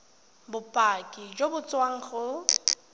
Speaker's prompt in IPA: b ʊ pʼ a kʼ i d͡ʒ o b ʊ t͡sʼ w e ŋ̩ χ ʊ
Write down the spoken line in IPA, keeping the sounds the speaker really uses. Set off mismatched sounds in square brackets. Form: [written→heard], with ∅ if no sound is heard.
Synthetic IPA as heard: b ʊ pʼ a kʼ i d͡ʒ o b ʊ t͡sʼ w [e→a] ŋ̩ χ ʊ